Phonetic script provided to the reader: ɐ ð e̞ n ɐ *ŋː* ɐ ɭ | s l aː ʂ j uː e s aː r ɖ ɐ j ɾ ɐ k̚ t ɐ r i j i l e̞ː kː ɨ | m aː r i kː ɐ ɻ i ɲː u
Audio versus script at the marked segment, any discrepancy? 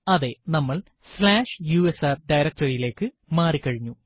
yes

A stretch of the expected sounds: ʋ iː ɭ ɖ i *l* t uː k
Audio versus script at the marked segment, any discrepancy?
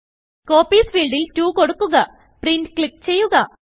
no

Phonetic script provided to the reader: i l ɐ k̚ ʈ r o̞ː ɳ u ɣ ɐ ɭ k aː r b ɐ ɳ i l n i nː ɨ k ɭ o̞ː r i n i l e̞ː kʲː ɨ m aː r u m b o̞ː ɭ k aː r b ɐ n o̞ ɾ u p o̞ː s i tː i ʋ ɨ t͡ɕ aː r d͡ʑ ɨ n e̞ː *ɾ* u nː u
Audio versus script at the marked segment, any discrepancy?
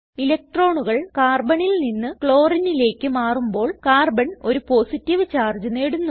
yes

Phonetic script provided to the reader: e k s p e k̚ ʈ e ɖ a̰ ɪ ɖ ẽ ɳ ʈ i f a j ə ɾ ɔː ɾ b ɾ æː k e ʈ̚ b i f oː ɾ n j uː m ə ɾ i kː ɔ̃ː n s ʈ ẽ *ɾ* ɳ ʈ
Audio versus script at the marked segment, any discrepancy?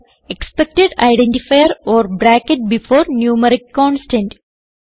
yes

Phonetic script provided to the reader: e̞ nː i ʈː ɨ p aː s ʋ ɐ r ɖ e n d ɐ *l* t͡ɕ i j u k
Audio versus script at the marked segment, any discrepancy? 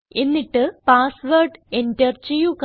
yes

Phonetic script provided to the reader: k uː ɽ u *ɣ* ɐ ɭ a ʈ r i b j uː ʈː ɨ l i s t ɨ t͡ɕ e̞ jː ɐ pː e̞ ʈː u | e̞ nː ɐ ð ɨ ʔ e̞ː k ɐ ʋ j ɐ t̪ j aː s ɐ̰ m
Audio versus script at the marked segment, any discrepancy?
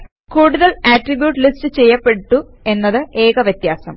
yes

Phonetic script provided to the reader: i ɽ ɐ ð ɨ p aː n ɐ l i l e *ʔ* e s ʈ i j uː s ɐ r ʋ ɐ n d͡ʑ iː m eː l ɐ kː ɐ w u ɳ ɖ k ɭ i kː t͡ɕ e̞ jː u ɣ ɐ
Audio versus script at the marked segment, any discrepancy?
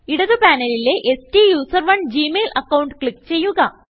no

